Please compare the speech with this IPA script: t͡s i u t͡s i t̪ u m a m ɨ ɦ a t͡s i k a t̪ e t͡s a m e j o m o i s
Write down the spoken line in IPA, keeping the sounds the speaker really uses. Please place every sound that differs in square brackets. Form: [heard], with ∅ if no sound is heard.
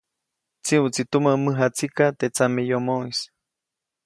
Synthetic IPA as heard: t͡s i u t͡s i t̪ u m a m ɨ ɦ a t͡s i k a t̪ e t͡s a m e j o m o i s